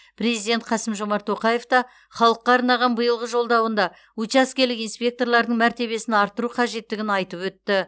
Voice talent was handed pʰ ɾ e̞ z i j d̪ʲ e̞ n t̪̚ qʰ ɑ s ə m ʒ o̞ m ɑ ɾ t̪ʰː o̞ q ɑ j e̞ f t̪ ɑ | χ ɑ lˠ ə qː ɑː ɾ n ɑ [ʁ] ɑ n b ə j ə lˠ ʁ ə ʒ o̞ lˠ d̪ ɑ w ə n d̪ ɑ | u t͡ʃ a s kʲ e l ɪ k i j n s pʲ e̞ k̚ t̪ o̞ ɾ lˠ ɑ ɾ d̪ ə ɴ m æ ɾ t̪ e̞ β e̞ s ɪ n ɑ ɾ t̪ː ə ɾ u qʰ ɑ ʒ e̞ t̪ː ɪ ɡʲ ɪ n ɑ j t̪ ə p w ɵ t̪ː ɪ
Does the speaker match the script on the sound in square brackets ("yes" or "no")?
yes